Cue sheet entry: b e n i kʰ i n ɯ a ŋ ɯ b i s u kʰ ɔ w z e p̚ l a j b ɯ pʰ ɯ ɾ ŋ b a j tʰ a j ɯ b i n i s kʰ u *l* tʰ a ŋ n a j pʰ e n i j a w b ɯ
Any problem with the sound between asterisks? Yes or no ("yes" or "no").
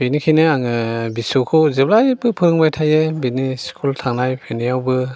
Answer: no